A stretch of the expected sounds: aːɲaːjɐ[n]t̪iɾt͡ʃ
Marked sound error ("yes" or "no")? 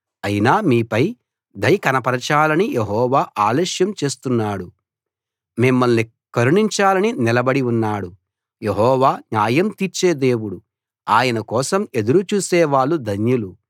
yes